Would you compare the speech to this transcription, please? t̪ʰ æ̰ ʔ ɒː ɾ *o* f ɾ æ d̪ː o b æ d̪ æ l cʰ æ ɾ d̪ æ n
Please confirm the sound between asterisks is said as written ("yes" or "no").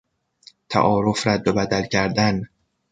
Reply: yes